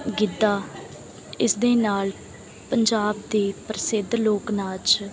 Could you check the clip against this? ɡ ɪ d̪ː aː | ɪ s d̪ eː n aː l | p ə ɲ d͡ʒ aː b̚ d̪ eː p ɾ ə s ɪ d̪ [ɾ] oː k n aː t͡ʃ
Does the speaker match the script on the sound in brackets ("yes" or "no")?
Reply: no